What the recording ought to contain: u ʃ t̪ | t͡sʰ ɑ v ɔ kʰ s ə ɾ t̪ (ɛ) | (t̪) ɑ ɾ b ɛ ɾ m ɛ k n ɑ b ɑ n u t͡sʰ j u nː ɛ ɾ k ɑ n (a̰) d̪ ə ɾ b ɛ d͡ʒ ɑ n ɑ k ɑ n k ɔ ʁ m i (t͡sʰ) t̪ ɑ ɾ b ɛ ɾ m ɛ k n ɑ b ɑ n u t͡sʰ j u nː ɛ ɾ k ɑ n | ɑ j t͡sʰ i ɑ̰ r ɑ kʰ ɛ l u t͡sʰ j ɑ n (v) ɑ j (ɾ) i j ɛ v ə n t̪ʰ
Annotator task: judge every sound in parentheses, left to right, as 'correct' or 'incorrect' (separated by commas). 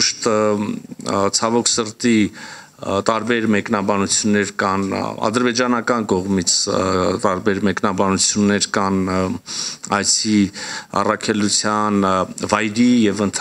incorrect, correct, incorrect, correct, correct, correct